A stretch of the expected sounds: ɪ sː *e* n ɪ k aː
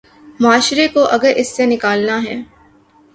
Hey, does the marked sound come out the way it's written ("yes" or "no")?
yes